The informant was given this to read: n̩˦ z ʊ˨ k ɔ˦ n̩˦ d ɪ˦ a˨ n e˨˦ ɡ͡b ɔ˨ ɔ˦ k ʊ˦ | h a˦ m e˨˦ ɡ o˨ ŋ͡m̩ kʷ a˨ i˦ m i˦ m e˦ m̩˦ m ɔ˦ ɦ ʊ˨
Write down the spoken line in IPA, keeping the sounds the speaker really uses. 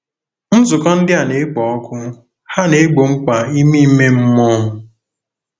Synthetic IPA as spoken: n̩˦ z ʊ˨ k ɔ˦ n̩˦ d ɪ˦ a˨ n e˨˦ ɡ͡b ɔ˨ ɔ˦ k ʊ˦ | h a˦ n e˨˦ ɡ͡b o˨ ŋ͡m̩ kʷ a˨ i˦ m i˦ m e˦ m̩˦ m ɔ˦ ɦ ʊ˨